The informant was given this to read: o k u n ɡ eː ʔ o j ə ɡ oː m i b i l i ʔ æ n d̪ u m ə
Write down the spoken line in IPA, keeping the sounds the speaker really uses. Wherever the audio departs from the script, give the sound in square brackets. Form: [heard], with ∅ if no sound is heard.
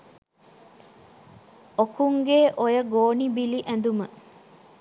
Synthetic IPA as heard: o k u [ŋ] ɡ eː ʔ o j ə ɡ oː [n] i b i l i ʔ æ n d̪ u m ə